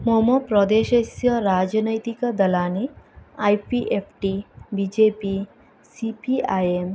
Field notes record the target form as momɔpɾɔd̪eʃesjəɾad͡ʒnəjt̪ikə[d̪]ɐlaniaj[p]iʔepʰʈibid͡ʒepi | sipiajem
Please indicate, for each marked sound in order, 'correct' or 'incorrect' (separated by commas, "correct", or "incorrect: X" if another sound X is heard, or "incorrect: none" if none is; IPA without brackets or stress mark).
correct, correct